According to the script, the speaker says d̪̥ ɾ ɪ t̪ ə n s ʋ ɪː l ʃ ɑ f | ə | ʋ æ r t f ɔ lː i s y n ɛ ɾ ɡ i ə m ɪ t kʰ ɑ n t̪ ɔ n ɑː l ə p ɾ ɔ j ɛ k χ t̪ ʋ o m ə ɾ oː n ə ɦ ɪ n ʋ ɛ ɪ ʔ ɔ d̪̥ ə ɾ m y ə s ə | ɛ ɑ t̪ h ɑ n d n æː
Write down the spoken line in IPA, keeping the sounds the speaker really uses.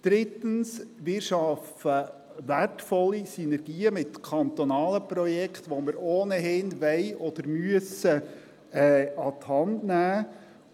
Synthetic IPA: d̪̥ ɾ ɪ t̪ ə n s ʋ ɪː ɾ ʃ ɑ f | ə | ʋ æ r t f ɔ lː i s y n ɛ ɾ ɡ iː ə m ɪ t kʰ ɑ n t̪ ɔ n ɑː l ə p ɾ ɔ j ɛ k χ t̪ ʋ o m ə ɾ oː n ə ɦ ɪ n ʋ ɛ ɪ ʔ ɔ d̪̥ ə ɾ m y ə s ə | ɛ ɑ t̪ h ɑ n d n æː